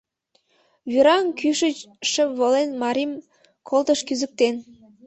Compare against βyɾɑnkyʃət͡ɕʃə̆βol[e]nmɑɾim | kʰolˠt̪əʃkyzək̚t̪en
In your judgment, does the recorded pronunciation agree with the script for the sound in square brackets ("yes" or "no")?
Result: yes